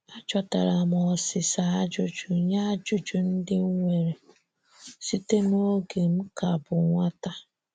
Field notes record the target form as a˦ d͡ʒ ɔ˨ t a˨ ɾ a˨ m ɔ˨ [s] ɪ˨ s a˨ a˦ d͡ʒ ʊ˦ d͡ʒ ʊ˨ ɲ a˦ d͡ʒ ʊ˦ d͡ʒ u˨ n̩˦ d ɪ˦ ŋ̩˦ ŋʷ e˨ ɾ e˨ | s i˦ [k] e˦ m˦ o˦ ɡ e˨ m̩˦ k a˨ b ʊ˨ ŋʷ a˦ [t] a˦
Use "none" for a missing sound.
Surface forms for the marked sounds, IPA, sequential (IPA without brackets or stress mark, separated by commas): s, t, t